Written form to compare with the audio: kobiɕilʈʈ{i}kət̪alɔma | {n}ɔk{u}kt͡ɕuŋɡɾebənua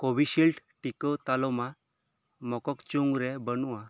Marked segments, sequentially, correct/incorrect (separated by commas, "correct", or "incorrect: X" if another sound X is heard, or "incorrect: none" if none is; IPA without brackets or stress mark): correct, incorrect: m, incorrect: ɔ